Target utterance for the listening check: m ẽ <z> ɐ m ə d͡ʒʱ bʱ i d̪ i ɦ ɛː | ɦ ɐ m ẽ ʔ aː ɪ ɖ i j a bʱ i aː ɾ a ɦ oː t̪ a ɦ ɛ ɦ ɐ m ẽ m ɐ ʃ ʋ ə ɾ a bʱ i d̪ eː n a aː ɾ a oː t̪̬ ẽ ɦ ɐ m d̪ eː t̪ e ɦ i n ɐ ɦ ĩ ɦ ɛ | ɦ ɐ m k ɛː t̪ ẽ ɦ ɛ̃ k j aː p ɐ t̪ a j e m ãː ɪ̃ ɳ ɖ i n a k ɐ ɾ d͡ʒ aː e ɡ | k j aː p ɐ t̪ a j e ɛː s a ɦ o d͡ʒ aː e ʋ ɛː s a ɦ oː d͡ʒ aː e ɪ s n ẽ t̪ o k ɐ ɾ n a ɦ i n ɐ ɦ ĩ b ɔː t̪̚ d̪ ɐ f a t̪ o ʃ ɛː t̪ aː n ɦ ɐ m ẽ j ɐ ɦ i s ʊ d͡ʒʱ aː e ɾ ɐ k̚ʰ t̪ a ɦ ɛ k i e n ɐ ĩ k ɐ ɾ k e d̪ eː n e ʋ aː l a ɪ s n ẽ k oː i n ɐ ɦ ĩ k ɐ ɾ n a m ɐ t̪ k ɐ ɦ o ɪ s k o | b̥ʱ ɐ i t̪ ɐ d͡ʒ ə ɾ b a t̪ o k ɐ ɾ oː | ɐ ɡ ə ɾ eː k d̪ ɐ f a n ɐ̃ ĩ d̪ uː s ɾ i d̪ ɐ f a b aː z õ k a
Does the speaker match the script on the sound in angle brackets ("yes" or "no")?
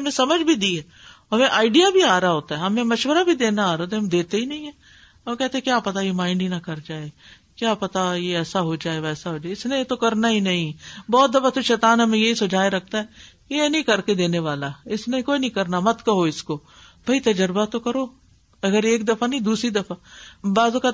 no